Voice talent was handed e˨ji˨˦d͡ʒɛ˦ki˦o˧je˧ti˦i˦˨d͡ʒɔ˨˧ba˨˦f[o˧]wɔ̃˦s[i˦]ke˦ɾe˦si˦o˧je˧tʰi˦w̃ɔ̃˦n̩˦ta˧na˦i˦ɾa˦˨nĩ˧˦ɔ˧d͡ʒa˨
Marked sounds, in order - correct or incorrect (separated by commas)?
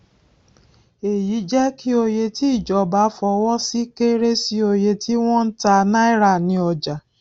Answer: incorrect, correct